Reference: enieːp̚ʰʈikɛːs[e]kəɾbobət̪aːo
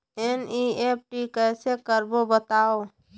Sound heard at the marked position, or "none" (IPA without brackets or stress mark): e